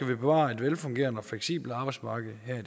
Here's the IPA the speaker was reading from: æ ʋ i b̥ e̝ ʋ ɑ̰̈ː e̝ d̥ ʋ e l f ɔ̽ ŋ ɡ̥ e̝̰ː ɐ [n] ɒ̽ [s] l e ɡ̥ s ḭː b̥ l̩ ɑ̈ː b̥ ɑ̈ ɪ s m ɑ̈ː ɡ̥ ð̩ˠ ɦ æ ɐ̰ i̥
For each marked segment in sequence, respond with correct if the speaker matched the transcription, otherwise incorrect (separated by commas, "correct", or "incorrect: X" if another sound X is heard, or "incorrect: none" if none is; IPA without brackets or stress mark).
correct, incorrect: f